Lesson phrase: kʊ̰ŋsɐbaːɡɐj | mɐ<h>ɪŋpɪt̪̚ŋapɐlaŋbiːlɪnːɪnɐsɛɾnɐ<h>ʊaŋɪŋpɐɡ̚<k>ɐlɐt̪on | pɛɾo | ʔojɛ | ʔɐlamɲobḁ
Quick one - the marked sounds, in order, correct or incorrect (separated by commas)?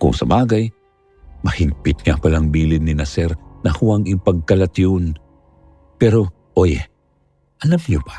correct, correct, correct